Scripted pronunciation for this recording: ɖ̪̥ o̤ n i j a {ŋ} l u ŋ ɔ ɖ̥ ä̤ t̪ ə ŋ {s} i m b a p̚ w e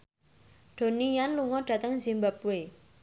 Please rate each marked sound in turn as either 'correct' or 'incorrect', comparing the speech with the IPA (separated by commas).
incorrect, incorrect